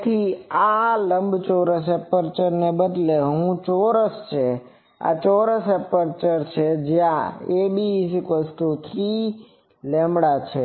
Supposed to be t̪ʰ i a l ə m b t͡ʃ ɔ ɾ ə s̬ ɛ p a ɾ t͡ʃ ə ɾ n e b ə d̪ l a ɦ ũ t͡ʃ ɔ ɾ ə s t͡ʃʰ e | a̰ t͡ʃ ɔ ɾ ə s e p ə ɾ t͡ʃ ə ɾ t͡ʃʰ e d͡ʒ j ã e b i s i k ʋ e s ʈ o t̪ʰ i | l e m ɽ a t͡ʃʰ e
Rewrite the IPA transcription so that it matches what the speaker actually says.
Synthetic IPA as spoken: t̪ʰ i a l ə m b t͡ʃ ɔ ɾ ə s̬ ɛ p ə ɾ t͡ʃ ə ɾ n e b ə d̪ l e ɦ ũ t͡ʃ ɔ ɾ ə s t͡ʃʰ e | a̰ t͡ʃ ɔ ɾ ə s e p ə ɾ t͡ʃ ə ɾ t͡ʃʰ e d͡ʒ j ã e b i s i k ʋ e s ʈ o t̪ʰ i | l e m ɽ a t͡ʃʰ e